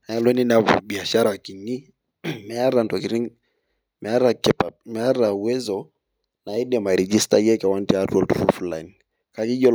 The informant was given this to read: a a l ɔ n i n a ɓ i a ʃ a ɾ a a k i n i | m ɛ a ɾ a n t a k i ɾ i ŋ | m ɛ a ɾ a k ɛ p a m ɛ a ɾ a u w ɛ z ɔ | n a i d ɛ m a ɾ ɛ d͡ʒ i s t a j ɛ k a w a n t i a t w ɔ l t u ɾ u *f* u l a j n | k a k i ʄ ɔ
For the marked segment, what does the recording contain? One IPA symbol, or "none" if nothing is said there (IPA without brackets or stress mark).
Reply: f